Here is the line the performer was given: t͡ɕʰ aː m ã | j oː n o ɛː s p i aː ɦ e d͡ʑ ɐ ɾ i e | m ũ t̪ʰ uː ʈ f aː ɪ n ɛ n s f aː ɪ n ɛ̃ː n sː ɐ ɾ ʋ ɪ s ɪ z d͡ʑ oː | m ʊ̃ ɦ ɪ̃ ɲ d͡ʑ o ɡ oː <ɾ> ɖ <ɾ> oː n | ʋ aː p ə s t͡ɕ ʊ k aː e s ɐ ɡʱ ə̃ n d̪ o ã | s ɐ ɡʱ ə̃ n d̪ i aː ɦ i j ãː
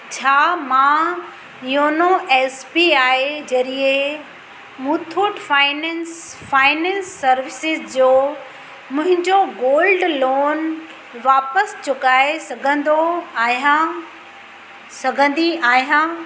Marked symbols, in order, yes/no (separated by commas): no, no